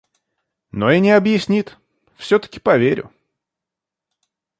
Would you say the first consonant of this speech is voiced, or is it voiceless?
voiced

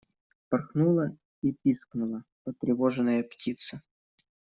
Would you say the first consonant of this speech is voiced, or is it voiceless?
voiceless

